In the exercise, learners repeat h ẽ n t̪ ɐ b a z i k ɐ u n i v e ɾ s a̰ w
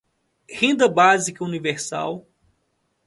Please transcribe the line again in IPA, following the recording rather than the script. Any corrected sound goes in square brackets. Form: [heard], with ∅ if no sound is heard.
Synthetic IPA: h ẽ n [d̪] ɐ b a z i k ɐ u n i v e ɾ s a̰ w